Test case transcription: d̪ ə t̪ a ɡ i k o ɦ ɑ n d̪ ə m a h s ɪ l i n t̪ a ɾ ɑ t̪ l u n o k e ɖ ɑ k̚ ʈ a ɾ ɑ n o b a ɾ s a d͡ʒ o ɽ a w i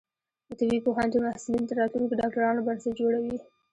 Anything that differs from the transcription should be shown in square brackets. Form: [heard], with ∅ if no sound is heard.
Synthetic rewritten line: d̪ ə t̪ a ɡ i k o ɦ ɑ n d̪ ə m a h s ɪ l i n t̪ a ɾ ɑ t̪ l u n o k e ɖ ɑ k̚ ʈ a ɾ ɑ n o b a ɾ s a d͡ʒ o ɽ a w i